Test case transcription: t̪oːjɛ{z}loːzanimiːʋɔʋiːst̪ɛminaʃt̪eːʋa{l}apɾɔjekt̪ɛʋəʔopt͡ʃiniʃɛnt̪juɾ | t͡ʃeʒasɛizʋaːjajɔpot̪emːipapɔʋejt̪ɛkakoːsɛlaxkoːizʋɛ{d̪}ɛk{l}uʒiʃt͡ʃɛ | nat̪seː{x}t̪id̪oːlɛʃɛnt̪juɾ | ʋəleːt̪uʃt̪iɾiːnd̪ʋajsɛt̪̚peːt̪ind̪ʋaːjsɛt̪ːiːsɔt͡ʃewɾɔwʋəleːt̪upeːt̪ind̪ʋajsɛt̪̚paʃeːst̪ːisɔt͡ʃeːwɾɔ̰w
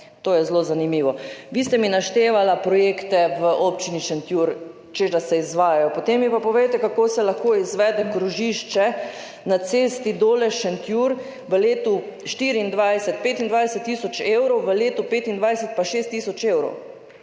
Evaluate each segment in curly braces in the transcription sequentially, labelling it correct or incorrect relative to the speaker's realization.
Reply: correct, correct, correct, incorrect: ɾ, incorrect: s

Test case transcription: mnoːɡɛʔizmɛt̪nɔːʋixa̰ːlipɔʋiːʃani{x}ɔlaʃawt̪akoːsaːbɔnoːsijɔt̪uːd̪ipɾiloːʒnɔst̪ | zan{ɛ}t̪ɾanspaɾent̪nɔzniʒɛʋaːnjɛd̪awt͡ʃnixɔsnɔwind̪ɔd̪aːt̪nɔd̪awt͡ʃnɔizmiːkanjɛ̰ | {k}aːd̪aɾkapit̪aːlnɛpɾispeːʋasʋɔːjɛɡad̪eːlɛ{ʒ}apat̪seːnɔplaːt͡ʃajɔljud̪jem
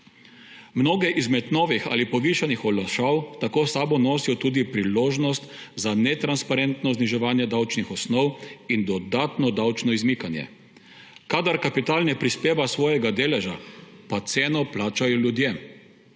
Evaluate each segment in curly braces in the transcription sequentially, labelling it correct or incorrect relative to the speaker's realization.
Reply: correct, correct, correct, correct

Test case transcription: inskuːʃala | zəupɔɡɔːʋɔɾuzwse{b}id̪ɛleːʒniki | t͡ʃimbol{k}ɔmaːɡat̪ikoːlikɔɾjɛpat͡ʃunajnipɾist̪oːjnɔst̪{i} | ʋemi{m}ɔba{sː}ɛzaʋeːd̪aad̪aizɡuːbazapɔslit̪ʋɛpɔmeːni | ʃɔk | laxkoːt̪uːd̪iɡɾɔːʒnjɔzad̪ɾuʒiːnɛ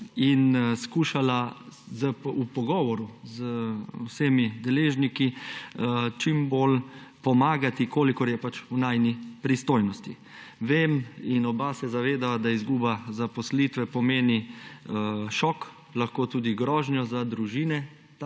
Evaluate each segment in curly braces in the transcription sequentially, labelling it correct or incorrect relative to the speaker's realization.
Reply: incorrect: m, incorrect: p, correct, incorrect: n, incorrect: s

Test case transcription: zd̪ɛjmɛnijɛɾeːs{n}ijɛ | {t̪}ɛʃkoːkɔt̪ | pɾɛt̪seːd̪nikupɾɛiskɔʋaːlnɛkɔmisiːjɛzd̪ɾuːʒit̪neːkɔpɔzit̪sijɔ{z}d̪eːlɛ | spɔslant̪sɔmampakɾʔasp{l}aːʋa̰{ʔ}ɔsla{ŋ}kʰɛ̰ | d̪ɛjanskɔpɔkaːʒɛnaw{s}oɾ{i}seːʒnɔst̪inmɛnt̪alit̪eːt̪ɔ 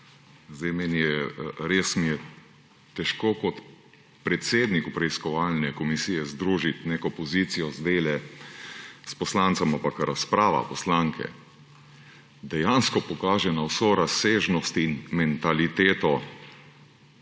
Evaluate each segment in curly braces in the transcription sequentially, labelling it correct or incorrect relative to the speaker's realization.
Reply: incorrect: m, correct, correct, incorrect: ɾ, incorrect: p, correct, correct, incorrect: a

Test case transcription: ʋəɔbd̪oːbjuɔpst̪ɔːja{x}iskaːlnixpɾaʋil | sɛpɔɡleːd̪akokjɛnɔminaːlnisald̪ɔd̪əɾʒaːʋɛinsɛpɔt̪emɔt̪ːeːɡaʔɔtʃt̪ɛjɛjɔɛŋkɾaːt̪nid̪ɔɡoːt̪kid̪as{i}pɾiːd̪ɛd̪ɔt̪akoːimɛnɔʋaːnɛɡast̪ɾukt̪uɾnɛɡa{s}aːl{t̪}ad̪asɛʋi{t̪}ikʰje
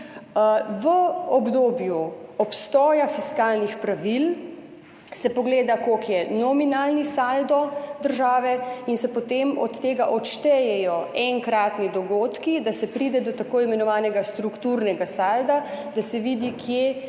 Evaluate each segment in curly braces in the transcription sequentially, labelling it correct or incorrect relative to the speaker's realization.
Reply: incorrect: f, incorrect: ɛ, correct, incorrect: d̪, incorrect: d̪

